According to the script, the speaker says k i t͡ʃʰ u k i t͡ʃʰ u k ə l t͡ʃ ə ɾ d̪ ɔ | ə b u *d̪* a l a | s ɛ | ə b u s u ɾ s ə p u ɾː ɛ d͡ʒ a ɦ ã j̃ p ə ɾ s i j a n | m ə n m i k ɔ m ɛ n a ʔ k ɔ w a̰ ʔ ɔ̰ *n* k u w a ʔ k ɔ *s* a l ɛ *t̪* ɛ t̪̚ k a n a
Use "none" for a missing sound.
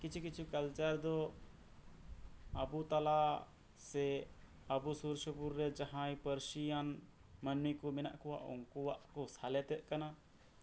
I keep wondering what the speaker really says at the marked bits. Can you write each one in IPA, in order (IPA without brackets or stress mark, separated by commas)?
t̪, ŋ, s, t̪